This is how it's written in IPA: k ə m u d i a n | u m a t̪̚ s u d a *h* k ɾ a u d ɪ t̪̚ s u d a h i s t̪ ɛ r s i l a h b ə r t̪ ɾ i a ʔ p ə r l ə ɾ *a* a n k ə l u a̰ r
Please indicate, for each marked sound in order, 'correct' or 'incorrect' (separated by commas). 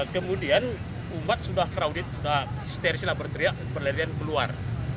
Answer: correct, incorrect